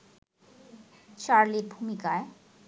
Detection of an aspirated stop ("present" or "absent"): absent